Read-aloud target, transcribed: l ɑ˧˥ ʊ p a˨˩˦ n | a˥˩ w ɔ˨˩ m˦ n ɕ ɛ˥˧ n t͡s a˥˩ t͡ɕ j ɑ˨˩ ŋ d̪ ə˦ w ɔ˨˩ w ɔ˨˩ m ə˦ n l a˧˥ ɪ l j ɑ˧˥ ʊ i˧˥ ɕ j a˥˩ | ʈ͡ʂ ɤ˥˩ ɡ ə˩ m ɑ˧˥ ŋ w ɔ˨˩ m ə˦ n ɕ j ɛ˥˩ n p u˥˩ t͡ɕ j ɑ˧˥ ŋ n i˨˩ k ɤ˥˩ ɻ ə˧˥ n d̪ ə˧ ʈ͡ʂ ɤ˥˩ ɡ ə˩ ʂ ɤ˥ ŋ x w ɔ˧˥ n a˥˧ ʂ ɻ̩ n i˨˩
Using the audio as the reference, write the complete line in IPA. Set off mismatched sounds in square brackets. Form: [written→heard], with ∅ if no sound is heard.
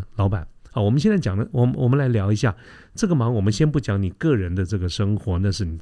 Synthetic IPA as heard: l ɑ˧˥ ʊ p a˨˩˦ n | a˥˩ w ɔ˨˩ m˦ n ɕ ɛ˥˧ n t͡s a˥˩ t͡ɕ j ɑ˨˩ ŋ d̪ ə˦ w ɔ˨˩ w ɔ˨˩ m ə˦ n l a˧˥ ɪ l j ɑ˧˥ ʊ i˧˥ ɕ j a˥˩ | ʈ͡ʂ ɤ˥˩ ɡ ə˩ m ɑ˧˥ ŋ w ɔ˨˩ m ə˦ n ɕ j [ɛ˥˩→ɛ˥] n p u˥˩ t͡ɕ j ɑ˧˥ ŋ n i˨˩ k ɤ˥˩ ɻ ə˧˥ n d̪ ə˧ ʈ͡ʂ ɤ˥˩ ɡ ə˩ ʂ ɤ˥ ŋ x w ɔ˧˥ n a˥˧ ʂ ɻ̩ n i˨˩